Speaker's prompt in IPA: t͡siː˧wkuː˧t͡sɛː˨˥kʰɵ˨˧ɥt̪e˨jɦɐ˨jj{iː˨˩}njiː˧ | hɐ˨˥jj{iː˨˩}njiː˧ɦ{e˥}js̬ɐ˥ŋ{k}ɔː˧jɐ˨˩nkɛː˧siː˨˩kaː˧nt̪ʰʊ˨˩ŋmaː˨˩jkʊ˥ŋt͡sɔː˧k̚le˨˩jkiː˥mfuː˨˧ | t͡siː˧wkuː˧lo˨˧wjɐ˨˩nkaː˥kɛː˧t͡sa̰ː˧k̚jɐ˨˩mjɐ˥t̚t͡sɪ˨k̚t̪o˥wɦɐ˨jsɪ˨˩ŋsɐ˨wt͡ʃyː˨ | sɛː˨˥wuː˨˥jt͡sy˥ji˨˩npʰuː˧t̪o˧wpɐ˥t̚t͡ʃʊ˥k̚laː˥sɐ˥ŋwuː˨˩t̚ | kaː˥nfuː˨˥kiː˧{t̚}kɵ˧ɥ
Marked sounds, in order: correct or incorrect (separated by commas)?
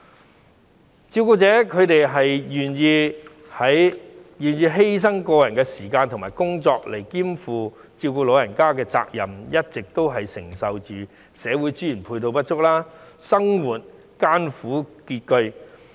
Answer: incorrect, incorrect, correct, correct, correct